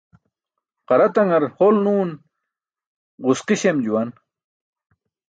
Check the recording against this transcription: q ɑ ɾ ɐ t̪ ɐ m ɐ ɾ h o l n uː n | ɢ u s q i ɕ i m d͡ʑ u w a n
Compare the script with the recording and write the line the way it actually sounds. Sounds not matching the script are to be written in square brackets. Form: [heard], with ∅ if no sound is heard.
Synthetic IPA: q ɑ ɾ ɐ t̪ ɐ [ŋ] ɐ ɾ h o l n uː n | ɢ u s q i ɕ [e] m d͡ʑ u w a n